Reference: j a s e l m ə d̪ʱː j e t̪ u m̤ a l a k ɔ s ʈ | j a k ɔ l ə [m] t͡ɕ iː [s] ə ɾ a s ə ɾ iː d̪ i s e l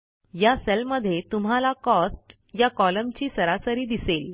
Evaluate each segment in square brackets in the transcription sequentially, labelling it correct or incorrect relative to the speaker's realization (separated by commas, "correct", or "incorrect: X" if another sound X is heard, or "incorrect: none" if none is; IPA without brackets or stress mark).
correct, correct